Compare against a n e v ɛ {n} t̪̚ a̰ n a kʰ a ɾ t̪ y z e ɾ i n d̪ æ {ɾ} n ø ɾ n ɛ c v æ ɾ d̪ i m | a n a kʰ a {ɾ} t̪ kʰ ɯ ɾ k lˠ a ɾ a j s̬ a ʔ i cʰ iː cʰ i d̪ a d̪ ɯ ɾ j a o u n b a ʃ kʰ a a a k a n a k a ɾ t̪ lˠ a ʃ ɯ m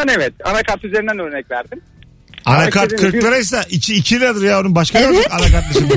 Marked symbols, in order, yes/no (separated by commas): no, no, yes